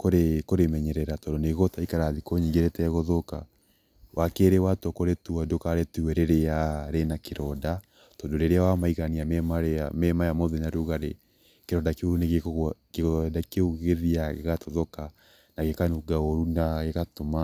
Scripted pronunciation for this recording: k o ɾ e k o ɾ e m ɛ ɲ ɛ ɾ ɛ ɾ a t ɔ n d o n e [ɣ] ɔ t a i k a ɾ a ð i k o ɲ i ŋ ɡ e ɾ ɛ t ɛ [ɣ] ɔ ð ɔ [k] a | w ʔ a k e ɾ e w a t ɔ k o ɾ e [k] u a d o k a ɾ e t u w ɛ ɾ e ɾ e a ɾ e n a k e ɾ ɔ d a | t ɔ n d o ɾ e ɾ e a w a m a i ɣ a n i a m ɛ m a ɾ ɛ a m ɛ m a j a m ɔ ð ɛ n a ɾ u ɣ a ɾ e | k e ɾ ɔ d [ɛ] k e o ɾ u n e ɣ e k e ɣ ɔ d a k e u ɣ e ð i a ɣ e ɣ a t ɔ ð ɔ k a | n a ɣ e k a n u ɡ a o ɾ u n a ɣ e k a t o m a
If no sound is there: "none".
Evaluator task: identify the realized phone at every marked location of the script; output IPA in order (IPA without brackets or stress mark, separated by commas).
ɣ, ɣ, k, t, a